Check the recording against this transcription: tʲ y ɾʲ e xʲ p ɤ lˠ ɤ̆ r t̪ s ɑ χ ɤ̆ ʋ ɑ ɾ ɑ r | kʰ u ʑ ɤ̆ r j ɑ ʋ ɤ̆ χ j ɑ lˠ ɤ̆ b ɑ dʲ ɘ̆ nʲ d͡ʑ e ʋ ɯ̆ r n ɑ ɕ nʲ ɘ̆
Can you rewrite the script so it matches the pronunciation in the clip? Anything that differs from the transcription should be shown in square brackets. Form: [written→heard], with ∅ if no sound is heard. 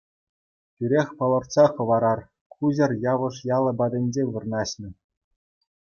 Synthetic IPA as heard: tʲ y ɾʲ e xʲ p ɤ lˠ ɤ̆ r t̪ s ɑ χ ɤ̆ ʋ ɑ ɾ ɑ r | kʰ u ʑ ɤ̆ r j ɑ ʋ ɤ̆ [χ→ʂ] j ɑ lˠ ɤ̆ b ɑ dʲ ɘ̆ nʲ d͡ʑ e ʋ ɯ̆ r n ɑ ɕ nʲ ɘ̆